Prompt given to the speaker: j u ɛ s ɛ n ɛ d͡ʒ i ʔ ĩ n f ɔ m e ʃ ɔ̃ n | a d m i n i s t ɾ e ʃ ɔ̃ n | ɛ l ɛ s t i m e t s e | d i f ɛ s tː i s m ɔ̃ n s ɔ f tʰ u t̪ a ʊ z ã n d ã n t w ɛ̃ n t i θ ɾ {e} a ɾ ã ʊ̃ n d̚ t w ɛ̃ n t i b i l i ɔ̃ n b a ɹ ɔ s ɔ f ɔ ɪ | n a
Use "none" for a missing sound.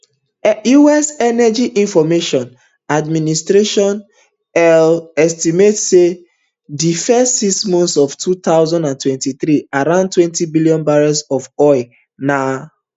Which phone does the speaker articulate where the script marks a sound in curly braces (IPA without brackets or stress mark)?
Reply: i